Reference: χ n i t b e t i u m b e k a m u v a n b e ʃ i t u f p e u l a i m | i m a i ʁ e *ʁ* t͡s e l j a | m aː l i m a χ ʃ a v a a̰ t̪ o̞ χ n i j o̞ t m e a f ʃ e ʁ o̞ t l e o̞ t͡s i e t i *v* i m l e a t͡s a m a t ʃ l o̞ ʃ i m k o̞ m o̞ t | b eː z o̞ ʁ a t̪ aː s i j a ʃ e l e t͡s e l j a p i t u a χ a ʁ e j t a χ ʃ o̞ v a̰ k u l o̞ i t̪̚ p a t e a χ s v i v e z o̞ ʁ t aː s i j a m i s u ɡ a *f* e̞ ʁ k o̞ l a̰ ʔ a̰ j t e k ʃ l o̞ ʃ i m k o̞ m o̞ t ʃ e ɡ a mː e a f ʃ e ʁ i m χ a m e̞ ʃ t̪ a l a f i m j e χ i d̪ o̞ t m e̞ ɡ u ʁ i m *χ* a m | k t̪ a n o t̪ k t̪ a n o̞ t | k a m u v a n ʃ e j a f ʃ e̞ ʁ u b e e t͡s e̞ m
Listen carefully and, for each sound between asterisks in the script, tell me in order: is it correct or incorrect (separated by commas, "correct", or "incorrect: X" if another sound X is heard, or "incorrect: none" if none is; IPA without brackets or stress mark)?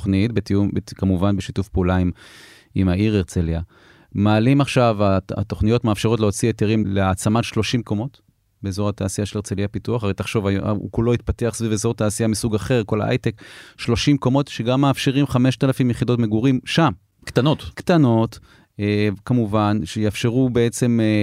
correct, incorrect: ʁ, incorrect: χ, incorrect: ʃ